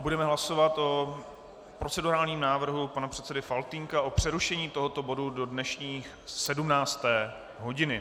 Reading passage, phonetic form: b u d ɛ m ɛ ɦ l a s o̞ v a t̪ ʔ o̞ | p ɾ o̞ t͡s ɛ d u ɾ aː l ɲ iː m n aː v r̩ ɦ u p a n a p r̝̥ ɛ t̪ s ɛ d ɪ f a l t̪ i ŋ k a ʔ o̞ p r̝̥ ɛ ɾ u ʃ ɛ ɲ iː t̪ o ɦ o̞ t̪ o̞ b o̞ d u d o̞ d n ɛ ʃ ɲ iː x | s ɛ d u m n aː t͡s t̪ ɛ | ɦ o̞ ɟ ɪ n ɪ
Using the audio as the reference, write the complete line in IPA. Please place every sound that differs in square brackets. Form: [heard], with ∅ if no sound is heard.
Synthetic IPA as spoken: b u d ɛ m ɛ ɦ l a s o̞ v a t̪ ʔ o̞ | p ɾ o̞ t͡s ɛ d u ɾ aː l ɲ iː m n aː v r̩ ɦ u p a n a p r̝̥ ɛ t̪ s ɛ d ɪ f a l t̪ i ŋ k a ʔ o̞ p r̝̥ ɛ ɾ u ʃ ɛ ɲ iː t̪ o ɦ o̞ t̪ o̞ b o̞ d u d o̞ d n ɛ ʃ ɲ iː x | s ɛ d u m n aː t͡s t̪ [ɛː] | ɦ o̞ ɟ ɪ n ɪ